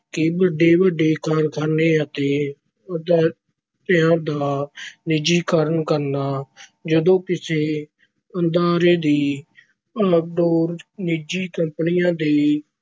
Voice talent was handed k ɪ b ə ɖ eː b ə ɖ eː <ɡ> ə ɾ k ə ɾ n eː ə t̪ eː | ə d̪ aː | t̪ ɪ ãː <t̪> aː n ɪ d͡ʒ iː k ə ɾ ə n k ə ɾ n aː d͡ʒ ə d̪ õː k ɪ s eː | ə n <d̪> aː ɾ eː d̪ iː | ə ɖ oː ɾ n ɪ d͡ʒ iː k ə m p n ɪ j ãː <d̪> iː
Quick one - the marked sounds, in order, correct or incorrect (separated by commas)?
incorrect, incorrect, correct, correct